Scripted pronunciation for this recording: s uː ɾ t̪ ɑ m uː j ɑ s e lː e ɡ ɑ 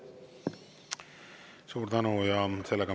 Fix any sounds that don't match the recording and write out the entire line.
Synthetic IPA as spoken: s uː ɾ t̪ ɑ n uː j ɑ s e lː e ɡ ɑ